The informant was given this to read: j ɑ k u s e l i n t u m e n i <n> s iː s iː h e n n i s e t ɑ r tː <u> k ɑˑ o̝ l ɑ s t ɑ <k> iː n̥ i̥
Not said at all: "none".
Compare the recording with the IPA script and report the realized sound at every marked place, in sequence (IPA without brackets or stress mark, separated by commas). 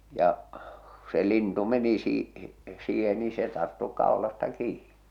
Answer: none, u, k